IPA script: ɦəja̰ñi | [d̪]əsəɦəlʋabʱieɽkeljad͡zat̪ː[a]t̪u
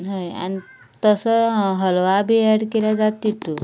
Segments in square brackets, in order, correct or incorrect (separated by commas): incorrect, incorrect